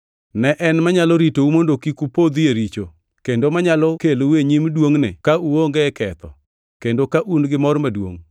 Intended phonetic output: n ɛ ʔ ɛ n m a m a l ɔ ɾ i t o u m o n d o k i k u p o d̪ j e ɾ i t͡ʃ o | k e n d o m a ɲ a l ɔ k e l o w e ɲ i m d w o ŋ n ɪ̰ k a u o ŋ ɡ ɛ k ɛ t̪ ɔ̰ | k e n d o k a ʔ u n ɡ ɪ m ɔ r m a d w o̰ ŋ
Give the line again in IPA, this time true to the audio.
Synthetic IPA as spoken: n ɛ ʔ ɛ n m a ɲ a l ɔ ɾ i t o u m o n d o k i k u p o d̪ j e ɾ i t͡ʃ o | k e n d o m a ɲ a l ɔ k e l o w e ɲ i m d w o ŋ n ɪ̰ k a u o ŋ ɡ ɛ k ɛ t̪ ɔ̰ | k e n d o k a ʔ u n ɡ ɪ m ɔ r m a d w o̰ ŋ